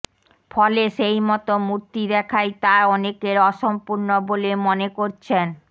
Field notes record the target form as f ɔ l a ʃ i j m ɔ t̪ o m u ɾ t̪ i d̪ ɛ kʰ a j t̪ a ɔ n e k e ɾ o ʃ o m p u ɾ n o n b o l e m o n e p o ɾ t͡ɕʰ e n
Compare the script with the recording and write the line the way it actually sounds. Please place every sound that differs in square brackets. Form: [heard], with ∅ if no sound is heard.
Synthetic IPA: f ɔ l [e] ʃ [e] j m ɔ t̪ o m u ɾ t̪ i d̪ ɛ kʰ a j t̪ a ɔ n e k e ɾ [ɔ] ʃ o m p u ɾ n o [∅] b o l e m o n e [k] o ɾ t͡ɕʰ e n